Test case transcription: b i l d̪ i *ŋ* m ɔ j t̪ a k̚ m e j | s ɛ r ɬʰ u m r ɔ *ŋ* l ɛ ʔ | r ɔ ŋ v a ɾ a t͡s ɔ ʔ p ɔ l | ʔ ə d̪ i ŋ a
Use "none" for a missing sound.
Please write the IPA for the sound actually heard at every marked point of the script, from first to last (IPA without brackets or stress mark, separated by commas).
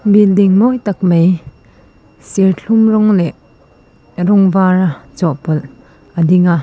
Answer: ŋ, ŋ